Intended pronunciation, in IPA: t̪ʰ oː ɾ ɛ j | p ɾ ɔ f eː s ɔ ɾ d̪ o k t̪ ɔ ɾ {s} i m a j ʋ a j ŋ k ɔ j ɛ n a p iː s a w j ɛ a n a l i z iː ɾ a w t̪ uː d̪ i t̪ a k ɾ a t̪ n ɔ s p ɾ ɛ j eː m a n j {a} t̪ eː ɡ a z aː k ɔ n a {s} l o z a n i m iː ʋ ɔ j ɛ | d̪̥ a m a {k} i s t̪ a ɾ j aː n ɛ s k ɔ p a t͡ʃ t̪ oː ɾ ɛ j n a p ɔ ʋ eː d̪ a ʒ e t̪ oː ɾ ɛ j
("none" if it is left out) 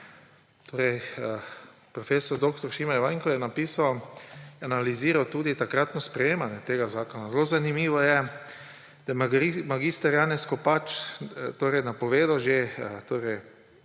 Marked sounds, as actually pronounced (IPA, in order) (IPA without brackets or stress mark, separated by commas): ʃ, ɛ, z, ɡ